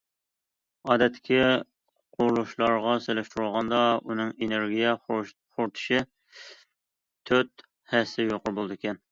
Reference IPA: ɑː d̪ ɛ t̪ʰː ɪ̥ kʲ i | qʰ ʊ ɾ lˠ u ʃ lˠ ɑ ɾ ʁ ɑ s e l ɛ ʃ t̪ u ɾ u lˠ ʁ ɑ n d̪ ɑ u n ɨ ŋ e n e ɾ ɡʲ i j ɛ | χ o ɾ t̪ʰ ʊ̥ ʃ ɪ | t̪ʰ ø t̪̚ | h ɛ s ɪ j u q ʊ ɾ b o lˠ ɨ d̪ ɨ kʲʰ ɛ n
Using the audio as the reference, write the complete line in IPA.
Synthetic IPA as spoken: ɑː d̪ ɛ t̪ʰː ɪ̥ kʲ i | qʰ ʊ ɾ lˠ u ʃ lˠ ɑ ɾ ʁ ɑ s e l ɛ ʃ t̪ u ɾ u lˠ ʁ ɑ n d̪ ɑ u n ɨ ŋ e n e ɾ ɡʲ i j ɛ | χ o ɾ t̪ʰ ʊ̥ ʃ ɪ | t̪ʰ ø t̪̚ | h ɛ s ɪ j o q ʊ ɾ b o lˠ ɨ d̪ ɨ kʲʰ ɛ n